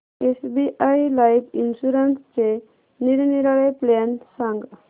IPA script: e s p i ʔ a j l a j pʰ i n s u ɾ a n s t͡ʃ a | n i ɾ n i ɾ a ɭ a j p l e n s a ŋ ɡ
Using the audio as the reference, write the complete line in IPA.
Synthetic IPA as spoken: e s b i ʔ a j l a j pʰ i n s u ɾ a n s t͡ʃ e | n i ɾ n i ɾ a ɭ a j p l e n s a ŋ ɡ